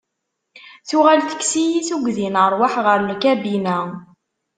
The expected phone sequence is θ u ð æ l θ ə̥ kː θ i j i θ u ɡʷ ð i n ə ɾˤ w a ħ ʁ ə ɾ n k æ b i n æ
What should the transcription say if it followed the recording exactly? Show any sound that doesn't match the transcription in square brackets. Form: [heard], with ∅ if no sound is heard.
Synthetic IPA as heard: θ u [ʁ] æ l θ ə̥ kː [s] i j i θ u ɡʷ ð i n ə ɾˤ w a ħ ʁ ə ɾ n k æ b i n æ